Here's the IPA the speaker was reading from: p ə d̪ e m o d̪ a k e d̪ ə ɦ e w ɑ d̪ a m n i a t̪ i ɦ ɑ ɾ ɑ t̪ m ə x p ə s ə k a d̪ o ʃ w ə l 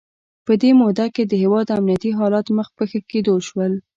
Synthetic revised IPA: p ə d̪ e m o d̪ a k e d̪ ə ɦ e w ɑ d̪ a m n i a t̪ i ɦ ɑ l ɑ t̪ m ə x p ə x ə k e d̪ o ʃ w ə l